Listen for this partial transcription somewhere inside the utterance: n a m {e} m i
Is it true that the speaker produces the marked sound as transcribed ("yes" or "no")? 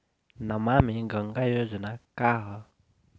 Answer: no